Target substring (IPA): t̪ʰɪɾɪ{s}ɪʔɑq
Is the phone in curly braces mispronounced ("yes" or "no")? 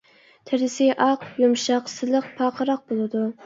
no